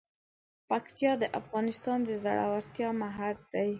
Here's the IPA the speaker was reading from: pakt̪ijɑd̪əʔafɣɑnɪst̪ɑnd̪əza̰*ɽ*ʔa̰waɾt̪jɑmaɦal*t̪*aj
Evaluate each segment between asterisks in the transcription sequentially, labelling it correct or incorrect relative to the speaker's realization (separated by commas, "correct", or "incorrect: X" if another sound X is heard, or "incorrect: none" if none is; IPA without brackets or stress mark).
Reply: correct, incorrect: d̪